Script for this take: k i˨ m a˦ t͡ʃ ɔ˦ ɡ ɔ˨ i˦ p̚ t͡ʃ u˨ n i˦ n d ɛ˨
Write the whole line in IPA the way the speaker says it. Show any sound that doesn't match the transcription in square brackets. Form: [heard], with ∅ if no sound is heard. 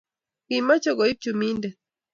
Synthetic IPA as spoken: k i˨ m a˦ t͡ʃ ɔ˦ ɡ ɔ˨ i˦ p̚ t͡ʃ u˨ [m] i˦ n d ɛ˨